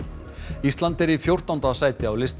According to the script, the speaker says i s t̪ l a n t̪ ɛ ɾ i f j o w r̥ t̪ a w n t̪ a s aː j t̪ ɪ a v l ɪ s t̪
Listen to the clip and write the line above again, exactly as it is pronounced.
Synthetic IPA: i s t̪ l a n t̪ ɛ ɾ i f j o w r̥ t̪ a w n t̪ a s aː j t̪ ɪ a w l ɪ s t̪